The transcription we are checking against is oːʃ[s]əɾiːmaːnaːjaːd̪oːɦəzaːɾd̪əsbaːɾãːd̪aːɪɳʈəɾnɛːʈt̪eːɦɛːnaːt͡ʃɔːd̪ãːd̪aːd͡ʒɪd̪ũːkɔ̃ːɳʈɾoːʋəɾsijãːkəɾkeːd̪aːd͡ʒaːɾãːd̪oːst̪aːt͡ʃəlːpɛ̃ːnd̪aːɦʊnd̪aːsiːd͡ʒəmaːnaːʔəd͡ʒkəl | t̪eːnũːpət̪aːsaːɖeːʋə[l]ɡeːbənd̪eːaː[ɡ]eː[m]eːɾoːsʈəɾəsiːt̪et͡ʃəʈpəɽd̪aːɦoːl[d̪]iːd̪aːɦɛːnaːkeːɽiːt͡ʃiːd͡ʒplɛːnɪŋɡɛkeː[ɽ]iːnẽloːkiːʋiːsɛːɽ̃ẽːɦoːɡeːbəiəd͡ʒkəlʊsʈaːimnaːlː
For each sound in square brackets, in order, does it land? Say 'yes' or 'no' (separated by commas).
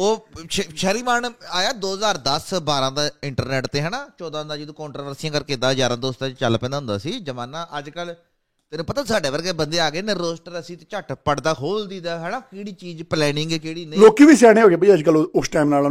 no, no, yes, no, yes, yes